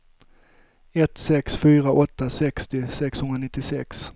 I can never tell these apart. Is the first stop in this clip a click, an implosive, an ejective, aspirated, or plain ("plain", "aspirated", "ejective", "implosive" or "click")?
plain